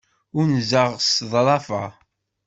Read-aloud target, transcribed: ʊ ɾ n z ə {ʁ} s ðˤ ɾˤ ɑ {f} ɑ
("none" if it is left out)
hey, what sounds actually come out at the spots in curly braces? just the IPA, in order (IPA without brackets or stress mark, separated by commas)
ʁ, f